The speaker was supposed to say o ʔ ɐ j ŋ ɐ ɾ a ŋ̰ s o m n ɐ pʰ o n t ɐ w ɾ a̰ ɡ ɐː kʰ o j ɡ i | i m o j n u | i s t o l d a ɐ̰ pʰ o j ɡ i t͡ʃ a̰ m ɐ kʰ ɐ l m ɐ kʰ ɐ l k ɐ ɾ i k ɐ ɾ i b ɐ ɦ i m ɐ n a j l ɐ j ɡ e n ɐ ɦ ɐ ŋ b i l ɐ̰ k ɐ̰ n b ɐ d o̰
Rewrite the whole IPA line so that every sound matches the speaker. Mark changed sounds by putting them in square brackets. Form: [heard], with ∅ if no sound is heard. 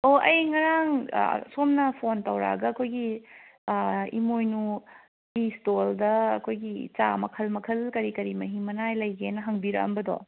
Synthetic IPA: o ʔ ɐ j ŋ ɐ ɾ a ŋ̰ s o m n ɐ pʰ o n t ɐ w ɾ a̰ ɡ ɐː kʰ o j ɡ i | i m o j n u | i s t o l d [ɐ] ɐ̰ [kʰ] o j ɡ i t͡ʃ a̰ m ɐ kʰ ɐ l m ɐ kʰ ɐ l k ɐ ɾ i k ɐ ɾ i [m] ɐ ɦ i m ɐ n a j l ɐ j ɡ e n ɐ ɦ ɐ ŋ b i [ɾ] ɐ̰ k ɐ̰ [m] b ɐ d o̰